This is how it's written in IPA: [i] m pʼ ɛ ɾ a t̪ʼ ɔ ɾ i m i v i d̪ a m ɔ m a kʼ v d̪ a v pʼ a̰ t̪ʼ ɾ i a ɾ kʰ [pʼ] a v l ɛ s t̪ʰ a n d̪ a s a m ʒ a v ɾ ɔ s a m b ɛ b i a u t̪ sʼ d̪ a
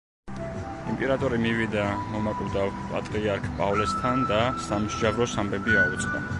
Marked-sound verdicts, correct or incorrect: correct, correct

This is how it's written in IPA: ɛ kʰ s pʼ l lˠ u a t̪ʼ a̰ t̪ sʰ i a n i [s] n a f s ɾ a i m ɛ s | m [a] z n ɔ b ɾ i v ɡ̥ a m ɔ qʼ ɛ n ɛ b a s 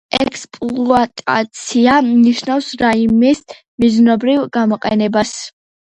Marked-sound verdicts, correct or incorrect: incorrect, incorrect

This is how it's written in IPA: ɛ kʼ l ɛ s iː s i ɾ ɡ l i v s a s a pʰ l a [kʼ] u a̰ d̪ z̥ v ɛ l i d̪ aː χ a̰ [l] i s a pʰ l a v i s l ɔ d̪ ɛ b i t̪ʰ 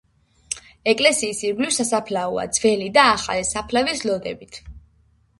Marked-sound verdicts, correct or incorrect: incorrect, correct

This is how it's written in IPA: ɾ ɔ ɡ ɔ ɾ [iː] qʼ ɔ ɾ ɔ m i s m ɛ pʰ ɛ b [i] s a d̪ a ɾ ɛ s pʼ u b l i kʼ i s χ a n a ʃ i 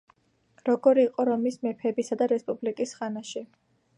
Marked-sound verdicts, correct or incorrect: correct, correct

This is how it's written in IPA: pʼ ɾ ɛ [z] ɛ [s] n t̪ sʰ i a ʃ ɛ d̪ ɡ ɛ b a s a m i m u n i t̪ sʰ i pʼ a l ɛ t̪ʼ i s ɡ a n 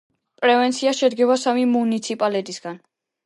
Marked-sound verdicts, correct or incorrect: incorrect, incorrect

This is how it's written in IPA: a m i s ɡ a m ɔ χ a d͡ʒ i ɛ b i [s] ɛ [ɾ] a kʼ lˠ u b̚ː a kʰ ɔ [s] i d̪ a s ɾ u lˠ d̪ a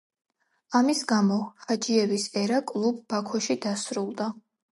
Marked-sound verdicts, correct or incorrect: correct, correct, incorrect

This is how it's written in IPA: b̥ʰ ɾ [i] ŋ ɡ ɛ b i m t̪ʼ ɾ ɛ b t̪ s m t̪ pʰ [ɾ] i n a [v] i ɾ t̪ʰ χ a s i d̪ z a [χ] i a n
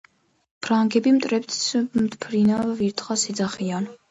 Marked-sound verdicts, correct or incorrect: incorrect, correct, correct, correct

